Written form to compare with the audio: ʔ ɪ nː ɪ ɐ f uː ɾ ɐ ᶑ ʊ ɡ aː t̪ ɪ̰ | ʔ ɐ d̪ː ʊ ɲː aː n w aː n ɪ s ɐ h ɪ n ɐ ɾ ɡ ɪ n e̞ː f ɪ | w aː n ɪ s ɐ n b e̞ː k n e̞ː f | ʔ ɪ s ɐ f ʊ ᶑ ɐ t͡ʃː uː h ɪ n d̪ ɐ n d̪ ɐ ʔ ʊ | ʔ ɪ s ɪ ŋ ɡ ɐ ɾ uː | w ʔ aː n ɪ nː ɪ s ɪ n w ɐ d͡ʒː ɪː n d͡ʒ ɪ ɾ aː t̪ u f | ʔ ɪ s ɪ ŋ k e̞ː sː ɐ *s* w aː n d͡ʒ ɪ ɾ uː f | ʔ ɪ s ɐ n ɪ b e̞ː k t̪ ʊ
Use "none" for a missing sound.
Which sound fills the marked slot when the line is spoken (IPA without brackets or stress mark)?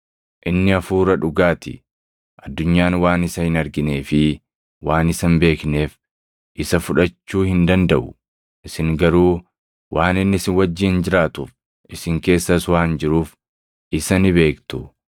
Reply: s